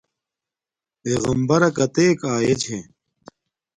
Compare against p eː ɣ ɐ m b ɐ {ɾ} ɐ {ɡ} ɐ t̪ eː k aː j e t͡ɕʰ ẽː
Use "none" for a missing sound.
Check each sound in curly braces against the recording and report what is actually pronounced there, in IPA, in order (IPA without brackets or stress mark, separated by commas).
ɾ, k